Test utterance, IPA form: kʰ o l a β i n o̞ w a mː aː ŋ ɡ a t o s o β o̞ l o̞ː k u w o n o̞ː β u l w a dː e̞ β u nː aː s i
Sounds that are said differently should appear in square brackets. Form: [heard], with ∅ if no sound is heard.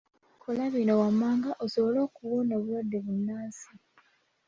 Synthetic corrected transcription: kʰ o l a β i n o̞ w a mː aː ŋ ɡ a [ʔ] o s o β o̞ l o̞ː k u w o n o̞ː β u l w a dː e̞ β u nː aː s i